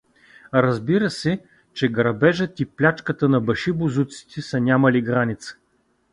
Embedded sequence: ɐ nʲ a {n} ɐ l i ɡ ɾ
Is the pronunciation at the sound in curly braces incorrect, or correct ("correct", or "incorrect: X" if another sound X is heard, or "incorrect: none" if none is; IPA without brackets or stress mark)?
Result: incorrect: m